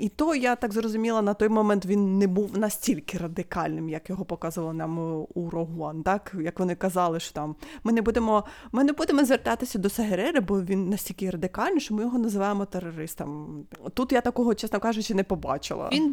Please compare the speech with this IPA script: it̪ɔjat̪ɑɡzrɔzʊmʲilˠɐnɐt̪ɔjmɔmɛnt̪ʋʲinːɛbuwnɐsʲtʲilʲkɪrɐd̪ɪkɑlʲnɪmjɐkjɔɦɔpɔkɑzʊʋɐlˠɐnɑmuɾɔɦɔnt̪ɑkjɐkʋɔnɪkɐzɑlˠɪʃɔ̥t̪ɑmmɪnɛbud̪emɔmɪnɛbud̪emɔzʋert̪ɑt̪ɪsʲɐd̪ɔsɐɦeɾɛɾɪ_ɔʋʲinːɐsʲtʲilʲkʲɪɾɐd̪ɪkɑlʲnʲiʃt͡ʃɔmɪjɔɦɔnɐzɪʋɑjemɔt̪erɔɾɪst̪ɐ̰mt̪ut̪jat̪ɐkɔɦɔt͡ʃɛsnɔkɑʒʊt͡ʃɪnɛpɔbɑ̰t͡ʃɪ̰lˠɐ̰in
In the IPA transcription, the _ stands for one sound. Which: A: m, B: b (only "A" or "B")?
B